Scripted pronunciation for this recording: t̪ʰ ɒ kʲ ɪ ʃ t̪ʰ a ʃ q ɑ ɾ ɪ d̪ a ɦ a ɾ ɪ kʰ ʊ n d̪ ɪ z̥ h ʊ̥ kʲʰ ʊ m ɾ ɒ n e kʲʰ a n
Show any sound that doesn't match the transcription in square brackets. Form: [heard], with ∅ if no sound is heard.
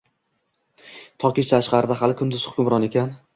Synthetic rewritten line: t̪ʰ ɒ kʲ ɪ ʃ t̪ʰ a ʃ q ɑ ɾ ɪ d̪ a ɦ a [l] ɪ kʰ ʊ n d̪ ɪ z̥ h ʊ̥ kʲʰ ʊ m ɾ ɒ n e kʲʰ a n